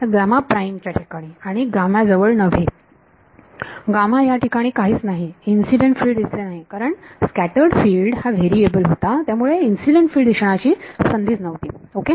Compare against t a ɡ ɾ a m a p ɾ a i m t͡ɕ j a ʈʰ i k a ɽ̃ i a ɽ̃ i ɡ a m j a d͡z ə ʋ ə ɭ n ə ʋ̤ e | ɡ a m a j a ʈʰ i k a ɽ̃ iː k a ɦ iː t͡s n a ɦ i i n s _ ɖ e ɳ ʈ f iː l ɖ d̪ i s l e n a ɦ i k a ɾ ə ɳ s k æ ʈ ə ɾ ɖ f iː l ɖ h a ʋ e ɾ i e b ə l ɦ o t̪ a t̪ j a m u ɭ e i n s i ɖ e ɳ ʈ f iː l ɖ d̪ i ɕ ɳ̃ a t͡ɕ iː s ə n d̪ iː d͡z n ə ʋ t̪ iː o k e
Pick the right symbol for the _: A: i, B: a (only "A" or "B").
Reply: A